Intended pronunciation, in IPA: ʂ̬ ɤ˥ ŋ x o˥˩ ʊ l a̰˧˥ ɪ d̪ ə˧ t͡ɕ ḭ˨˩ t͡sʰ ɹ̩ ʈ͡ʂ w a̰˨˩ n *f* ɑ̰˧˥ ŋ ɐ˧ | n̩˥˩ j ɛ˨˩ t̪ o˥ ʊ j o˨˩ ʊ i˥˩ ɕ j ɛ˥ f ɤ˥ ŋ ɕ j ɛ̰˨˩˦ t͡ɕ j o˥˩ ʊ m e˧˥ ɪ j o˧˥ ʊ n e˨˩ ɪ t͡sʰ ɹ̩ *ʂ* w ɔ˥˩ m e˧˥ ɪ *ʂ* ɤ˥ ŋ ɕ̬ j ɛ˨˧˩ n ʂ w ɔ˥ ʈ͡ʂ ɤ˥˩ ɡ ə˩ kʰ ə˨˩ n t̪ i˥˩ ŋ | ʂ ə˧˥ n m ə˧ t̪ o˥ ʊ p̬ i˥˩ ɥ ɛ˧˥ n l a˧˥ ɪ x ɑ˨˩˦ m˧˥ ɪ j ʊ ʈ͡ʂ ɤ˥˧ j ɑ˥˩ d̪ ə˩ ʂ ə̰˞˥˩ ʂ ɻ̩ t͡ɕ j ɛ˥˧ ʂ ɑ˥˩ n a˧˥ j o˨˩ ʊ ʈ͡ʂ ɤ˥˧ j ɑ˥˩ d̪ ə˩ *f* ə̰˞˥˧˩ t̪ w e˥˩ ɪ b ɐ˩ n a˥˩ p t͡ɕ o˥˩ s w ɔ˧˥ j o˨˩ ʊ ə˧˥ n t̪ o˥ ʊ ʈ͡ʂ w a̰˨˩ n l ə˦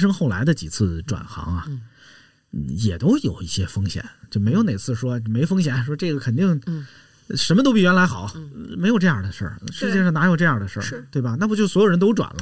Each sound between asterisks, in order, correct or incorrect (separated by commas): incorrect, correct, incorrect, incorrect